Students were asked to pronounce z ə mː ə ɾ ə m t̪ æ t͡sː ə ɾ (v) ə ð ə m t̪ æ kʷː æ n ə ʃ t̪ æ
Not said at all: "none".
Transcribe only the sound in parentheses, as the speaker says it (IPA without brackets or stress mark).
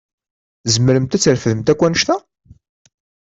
f